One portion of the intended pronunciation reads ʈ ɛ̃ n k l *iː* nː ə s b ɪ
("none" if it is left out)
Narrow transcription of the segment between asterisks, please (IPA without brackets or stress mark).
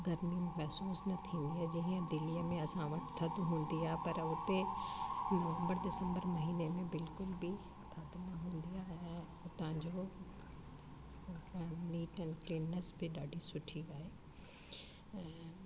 iː